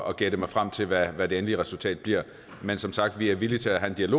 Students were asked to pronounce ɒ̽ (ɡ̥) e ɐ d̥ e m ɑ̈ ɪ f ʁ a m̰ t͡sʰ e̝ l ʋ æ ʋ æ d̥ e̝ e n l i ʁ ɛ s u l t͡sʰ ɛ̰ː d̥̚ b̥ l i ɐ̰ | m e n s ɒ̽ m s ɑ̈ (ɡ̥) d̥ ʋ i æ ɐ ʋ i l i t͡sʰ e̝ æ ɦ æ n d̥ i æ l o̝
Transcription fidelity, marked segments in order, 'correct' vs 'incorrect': correct, correct

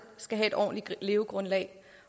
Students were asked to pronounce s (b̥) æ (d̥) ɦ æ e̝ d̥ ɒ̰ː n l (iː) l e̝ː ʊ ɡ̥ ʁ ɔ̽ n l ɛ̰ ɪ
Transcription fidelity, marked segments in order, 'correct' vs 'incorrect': incorrect: ɡ̥, incorrect: none, incorrect: i

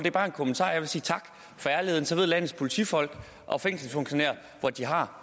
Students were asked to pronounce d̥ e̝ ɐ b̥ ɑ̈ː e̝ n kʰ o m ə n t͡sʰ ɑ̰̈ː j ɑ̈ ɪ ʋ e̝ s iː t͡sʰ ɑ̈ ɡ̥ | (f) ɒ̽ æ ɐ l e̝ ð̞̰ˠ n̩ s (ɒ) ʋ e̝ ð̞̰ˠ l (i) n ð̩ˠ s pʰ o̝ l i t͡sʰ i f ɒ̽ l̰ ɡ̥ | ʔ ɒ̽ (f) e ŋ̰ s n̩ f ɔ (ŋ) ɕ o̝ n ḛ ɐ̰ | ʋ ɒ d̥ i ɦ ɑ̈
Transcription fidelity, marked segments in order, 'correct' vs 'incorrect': correct, correct, incorrect: æ, correct, correct

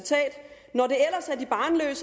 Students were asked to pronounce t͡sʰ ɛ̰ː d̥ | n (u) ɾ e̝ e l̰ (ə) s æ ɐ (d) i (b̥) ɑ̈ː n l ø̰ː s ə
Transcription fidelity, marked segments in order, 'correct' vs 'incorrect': incorrect: ɒ, incorrect: ɐ, correct, correct

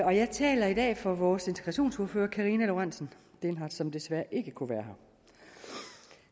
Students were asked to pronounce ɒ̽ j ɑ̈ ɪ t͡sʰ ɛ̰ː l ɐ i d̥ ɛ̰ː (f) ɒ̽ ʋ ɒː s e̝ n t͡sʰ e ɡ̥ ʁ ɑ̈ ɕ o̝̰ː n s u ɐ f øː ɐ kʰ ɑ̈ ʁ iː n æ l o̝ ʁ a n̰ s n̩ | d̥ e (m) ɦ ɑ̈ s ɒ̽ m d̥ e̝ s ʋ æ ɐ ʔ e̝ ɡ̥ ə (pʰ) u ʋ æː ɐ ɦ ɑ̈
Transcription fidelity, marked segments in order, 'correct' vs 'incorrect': correct, incorrect: n, incorrect: kʰ

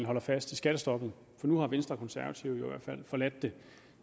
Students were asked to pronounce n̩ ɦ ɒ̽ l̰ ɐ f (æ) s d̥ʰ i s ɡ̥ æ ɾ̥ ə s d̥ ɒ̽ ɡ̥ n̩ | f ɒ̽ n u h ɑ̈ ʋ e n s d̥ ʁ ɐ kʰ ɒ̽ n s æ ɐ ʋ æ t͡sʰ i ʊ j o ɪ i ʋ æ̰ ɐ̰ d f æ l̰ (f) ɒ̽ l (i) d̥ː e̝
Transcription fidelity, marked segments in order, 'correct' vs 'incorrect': correct, correct, incorrect: æ

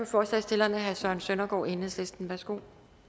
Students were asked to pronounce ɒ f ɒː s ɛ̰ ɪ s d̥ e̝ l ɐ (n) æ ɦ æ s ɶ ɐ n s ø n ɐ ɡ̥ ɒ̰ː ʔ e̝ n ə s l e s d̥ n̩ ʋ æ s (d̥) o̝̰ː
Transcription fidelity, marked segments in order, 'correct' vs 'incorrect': correct, incorrect: ɡ̥

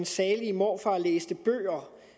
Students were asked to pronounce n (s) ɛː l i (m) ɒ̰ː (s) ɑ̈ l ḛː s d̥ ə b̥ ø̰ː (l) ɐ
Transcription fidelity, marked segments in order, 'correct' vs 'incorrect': correct, correct, incorrect: f, incorrect: none

